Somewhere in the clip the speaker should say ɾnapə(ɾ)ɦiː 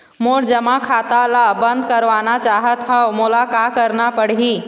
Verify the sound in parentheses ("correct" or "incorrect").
incorrect